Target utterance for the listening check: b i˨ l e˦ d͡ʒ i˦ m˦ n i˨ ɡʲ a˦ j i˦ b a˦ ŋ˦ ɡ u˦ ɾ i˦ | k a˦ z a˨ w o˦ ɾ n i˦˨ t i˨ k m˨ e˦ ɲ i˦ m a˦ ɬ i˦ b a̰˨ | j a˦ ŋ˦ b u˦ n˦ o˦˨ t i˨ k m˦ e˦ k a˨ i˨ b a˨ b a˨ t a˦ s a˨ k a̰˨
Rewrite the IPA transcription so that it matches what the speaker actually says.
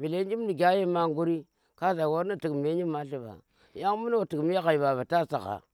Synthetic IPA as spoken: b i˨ l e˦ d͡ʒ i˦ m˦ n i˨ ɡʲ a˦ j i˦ m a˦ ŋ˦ ɡ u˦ ɾ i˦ | k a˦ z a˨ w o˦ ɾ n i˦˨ t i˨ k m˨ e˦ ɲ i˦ m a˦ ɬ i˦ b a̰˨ | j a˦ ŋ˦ m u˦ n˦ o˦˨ t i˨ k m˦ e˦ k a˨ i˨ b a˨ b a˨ t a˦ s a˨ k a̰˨